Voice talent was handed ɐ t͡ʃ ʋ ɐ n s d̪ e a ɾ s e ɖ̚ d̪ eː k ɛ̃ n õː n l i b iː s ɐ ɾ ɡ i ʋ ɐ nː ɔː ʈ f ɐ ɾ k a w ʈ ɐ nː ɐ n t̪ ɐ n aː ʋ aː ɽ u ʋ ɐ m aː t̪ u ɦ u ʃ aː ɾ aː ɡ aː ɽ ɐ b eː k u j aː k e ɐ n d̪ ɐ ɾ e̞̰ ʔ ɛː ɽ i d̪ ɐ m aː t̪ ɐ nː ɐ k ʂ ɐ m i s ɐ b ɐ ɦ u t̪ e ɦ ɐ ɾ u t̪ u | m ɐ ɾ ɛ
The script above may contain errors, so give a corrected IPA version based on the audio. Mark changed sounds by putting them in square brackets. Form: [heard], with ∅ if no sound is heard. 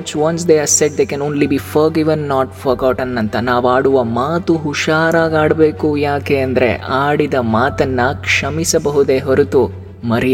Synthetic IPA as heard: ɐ t͡ʃ ʋ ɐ n s d̪ e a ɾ s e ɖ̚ d̪ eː k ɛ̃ n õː n l i b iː [f] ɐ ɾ ɡ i ʋ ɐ nː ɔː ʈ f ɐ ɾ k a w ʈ ɐ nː ɐ n t̪ ɐ n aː ʋ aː ɽ u ʋ ɐ m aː t̪ u ɦ u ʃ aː ɾ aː ɡ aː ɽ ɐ b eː k u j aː k e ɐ n d̪ ɐ ɾ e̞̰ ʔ [aː] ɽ i d̪ ɐ m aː t̪ ɐ nː ɐ k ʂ ɐ m i s ɐ b ɐ ɦ u [d̪] e ɦ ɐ ɾ u t̪ u | m ɐ ɾ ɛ